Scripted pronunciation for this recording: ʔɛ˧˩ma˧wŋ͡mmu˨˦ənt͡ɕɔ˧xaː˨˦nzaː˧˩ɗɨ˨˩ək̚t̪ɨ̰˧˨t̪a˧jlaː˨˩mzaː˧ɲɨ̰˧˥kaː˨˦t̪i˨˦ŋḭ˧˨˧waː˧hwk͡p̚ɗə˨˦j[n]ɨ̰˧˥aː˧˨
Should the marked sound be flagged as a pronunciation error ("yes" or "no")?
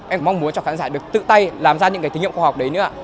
no